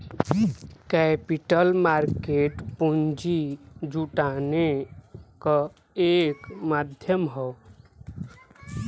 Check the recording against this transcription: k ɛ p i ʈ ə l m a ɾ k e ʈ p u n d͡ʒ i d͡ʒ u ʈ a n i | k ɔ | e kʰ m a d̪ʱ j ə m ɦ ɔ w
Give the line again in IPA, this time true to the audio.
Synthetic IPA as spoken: k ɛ p i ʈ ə l m a ɾ k e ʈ p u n d͡ʒ i d͡ʒ u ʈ a n e | k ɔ | e k m a d̪ʱ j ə m ɦ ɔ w